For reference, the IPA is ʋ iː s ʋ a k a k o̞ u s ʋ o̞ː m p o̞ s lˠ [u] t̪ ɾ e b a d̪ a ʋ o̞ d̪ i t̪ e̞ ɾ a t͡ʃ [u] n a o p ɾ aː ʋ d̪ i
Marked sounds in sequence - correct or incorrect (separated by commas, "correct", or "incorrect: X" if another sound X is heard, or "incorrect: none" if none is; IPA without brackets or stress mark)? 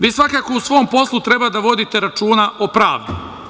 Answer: correct, incorrect: uː